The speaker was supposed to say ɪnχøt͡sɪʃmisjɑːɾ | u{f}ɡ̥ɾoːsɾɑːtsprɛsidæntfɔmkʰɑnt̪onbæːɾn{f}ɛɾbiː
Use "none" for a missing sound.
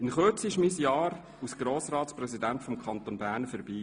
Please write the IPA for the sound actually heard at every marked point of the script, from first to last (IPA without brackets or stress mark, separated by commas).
s, f